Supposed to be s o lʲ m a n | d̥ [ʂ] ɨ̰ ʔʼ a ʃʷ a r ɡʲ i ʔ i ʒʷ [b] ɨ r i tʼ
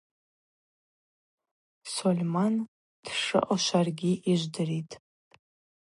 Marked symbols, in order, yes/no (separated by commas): yes, no